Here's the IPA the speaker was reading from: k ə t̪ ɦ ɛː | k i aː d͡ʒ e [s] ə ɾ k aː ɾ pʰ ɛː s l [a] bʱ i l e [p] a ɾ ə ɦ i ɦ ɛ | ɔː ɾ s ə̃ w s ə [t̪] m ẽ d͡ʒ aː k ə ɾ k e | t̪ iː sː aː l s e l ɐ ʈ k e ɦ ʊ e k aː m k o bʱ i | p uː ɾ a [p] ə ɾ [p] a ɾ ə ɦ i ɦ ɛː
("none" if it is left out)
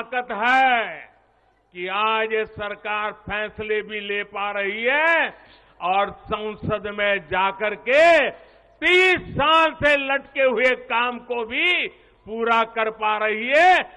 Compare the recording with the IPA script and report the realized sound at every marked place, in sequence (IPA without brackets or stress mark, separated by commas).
s, e, p, d̪, k, p